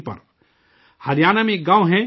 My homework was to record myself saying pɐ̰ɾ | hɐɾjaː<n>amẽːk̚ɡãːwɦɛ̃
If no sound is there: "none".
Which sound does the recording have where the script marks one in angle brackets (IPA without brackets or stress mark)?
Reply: n